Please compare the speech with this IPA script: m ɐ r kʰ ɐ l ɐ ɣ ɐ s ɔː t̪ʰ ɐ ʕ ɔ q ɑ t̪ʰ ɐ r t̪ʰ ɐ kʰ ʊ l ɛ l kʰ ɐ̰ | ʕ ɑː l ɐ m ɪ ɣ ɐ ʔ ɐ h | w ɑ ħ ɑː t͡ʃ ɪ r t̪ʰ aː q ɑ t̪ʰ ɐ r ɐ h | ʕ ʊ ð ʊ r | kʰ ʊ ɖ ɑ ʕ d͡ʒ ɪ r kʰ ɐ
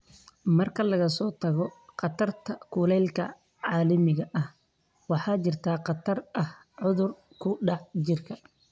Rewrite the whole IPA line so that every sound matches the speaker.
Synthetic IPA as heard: m ɐ r kʰ ɐ l ɐ ɣ ɐ s ɔː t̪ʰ ɐ ɣ ɔ q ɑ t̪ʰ ɐ r t̪ʰ ɐ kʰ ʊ l ɛ l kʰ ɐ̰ | ʕ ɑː l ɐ m ɪ ɣ ɐ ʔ ɐ h | w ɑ ħ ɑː t͡ʃ ɪ r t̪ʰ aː q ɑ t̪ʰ ɐ r ɐ h | ʕ ʊ ð ʊ r | kʰ ʊ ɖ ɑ ʕ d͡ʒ ɪ r kʰ ɐ